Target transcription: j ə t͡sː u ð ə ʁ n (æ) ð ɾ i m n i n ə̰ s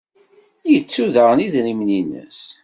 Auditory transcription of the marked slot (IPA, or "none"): i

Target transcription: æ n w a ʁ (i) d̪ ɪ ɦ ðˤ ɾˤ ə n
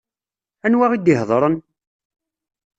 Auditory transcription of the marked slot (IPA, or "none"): i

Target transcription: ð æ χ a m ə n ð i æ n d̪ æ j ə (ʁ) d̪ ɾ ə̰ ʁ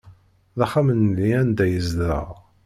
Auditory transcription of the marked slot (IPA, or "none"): z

